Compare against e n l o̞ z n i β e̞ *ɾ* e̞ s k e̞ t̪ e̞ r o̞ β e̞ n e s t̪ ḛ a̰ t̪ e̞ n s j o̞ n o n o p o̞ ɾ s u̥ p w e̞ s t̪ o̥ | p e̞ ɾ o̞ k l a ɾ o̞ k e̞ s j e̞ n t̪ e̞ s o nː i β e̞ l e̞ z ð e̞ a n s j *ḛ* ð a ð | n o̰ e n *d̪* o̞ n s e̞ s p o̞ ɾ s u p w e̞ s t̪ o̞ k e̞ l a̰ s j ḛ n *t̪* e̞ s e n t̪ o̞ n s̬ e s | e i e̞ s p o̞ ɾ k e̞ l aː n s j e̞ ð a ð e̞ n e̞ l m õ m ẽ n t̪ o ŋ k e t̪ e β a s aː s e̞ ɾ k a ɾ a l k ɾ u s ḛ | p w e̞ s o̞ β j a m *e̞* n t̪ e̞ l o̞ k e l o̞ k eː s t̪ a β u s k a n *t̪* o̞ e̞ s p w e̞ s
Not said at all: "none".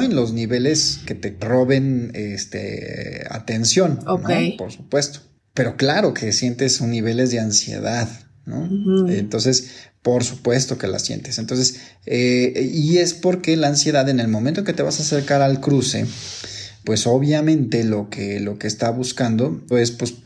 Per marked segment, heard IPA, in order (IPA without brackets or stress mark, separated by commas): l, ḛ, t̪, t̪, ẽ̞, d̪